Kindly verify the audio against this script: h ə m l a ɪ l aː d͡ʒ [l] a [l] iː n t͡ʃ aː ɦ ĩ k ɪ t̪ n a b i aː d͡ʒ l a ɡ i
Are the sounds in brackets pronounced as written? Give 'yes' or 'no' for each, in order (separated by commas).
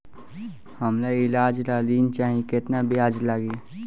yes, yes